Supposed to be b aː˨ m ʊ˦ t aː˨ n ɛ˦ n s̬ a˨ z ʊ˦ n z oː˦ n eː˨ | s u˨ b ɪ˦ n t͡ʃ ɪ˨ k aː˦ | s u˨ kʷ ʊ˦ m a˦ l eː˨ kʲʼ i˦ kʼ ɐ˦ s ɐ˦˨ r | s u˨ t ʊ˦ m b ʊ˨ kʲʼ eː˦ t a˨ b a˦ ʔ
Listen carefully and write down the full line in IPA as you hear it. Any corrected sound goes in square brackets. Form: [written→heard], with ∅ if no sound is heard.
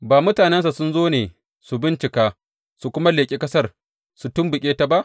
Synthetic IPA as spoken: b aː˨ m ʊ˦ t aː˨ n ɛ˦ n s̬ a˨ [z→s] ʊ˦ n z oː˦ n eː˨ | s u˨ b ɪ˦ n t͡ʃ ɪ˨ k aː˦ | s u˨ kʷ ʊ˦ m a˦ l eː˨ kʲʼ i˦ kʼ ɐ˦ s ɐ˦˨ r | s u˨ t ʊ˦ m b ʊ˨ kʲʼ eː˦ t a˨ b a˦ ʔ